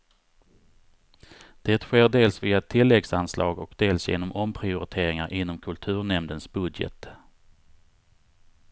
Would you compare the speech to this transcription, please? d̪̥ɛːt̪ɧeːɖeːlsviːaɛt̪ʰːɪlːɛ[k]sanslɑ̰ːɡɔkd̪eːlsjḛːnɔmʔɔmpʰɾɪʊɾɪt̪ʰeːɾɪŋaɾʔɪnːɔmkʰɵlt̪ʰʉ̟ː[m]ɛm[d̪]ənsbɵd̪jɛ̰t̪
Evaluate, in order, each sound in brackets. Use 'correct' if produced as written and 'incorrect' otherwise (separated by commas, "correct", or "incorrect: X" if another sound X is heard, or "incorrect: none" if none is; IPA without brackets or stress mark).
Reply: incorrect: ɡ, incorrect: ɳ, correct